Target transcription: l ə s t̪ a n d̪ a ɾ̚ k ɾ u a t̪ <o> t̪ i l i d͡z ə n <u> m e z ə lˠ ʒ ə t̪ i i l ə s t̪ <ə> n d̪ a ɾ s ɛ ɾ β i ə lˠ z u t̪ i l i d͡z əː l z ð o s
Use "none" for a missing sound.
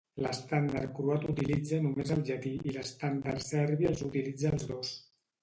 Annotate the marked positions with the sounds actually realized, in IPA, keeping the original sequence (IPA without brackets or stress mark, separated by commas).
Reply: u, u, a